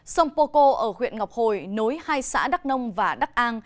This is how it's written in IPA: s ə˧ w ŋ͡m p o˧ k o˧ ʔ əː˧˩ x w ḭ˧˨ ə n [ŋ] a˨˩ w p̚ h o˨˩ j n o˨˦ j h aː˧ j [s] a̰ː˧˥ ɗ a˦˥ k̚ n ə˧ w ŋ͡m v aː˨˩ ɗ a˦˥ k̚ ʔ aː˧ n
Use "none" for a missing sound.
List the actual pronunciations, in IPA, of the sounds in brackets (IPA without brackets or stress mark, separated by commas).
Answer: ŋ, s